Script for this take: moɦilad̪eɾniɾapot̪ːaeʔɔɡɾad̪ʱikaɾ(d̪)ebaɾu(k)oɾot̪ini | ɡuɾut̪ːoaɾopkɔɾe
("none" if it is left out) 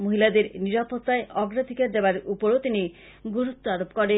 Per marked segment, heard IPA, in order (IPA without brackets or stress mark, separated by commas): d̪, p